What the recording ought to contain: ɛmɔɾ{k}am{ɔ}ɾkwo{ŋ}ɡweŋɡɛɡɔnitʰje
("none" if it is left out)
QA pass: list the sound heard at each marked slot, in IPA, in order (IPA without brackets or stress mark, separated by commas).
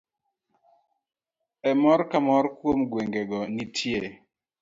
k, ɔ, m